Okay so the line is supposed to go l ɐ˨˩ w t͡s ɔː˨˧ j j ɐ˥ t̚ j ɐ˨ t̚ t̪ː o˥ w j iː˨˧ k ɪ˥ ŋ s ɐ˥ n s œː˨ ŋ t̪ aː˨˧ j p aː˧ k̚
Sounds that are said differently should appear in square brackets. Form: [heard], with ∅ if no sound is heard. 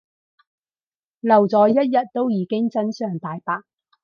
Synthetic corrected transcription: l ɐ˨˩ w t͡s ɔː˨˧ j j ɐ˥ t̚ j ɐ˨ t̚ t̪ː o˥ w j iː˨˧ k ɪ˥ ŋ [t͡s] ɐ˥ n s œː˨ ŋ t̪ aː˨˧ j p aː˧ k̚